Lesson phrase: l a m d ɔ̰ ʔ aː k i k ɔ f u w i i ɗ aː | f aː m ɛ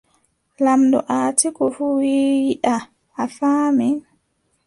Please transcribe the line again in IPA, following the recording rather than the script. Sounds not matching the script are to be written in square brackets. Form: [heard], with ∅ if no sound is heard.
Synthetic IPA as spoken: l a m d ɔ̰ ʔ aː [t] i k ɔ f u w i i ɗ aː | f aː m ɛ